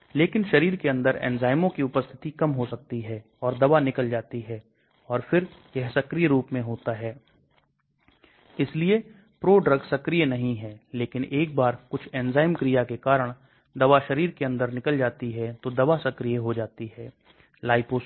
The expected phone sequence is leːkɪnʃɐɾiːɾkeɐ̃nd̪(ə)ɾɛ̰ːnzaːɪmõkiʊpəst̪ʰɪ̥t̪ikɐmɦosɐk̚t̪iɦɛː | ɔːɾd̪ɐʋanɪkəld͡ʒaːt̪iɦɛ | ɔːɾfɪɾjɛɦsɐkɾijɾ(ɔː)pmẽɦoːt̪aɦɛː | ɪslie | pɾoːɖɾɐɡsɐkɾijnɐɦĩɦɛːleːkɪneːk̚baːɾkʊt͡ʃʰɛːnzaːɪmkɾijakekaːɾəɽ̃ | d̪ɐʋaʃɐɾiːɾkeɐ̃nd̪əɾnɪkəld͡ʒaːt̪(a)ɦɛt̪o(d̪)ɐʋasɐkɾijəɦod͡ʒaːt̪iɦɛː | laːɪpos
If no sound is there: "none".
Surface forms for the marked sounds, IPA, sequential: ə, uː, i, d̪

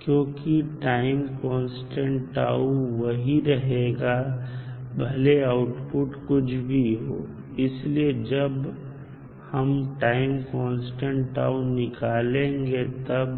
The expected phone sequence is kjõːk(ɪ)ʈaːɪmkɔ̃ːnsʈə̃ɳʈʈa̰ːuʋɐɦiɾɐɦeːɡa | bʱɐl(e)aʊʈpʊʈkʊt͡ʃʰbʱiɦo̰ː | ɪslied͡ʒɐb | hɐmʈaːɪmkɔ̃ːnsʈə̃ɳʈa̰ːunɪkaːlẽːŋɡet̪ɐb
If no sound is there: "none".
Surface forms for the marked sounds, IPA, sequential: i, e

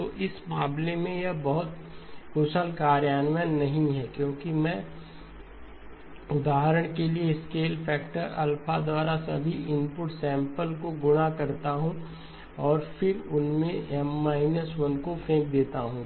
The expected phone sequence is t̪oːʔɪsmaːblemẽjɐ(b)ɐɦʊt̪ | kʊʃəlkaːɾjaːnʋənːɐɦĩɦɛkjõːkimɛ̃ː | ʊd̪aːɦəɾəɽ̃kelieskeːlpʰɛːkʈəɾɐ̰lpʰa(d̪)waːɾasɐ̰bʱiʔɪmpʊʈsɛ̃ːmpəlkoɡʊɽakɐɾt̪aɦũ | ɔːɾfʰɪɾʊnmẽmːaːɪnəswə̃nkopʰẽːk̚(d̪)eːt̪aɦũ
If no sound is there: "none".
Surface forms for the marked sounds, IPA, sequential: b, d̪, d̪

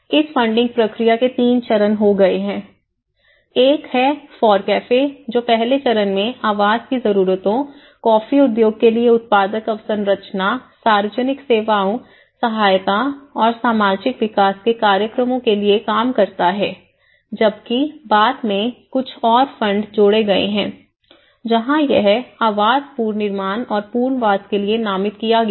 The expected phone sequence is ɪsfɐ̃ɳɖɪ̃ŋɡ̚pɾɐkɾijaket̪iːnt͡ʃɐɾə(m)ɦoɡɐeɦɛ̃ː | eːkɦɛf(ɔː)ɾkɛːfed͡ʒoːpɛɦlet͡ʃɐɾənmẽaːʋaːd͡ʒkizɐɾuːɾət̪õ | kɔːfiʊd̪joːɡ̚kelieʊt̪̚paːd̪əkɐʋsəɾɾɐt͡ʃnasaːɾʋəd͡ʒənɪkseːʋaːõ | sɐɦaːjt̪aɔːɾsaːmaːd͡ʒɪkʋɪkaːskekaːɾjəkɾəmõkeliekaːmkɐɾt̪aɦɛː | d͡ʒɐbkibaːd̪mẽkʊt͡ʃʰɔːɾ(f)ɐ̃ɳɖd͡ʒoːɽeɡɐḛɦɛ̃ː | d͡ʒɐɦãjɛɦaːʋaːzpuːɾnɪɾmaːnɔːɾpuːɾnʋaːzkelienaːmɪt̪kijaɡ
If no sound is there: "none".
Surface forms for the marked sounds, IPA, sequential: n, ɔː, f

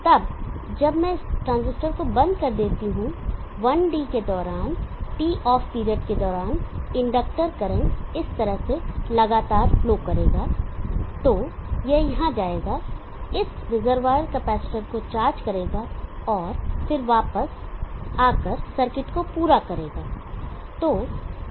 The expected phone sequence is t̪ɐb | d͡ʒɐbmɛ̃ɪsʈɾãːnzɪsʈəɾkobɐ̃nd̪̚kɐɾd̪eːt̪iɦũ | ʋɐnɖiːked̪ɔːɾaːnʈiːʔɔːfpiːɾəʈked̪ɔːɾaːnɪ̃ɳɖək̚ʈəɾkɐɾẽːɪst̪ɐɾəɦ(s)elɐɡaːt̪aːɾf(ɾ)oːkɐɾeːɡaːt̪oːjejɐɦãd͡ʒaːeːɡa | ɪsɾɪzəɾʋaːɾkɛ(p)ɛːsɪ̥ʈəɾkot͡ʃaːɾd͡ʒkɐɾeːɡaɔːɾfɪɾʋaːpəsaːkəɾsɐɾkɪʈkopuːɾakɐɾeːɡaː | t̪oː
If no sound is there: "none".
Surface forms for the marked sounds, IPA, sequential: s, l, p

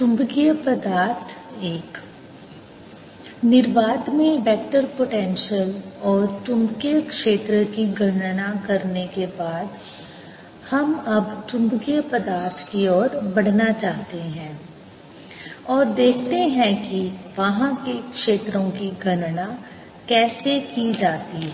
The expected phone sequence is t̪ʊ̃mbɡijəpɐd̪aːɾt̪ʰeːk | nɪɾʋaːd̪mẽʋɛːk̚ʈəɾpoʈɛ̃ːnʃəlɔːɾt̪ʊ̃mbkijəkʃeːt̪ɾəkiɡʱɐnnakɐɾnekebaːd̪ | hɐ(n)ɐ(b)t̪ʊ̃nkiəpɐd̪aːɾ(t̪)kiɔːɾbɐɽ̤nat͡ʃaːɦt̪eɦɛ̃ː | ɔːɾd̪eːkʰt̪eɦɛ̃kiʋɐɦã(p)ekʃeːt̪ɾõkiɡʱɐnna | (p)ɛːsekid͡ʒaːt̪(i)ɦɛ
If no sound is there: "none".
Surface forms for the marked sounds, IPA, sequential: m, b, t̪ʰ, k, k, i

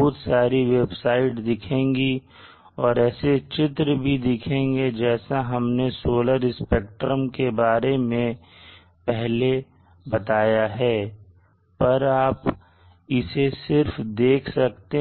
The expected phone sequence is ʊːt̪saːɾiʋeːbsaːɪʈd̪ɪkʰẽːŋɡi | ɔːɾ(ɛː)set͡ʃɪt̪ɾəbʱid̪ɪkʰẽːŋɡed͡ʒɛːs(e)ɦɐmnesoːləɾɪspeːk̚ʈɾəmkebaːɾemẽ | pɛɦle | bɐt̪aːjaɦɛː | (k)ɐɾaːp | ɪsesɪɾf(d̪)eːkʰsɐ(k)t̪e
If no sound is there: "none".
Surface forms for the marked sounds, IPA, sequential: ɛː, a, p, d̪, k

